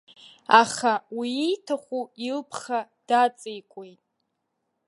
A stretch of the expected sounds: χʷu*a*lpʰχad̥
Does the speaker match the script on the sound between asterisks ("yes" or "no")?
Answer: no